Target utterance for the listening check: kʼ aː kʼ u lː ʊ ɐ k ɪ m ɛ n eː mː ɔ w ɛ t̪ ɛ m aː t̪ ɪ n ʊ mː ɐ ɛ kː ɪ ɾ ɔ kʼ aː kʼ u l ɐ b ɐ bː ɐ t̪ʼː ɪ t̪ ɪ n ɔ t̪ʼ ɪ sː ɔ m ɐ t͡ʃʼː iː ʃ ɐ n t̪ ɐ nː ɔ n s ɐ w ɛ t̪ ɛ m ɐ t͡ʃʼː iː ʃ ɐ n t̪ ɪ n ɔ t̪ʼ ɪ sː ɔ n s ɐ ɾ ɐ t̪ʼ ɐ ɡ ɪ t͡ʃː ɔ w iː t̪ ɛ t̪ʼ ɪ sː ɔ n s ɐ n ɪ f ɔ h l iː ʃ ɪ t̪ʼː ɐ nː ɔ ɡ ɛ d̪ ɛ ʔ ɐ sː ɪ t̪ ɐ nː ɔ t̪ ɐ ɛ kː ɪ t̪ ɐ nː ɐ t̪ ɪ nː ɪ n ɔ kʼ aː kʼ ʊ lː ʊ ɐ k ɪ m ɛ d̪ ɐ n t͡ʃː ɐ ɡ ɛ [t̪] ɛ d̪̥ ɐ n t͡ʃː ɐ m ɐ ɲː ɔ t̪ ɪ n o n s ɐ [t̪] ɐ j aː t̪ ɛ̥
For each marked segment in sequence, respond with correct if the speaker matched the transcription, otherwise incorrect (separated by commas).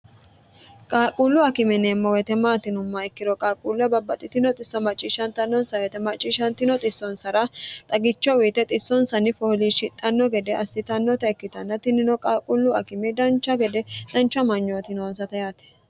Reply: incorrect, correct